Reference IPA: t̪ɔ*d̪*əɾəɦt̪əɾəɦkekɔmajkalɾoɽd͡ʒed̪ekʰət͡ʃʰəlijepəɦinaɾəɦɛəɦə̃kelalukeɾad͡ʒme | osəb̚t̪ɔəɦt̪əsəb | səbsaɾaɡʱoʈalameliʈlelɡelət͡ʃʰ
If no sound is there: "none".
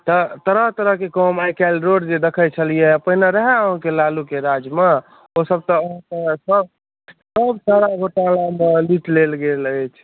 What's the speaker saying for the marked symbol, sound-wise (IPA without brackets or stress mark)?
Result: t̪